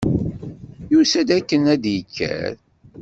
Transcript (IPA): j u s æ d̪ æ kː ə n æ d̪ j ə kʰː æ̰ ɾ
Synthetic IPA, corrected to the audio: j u s æ d̪ æ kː ə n æ d̪ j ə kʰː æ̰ ɾ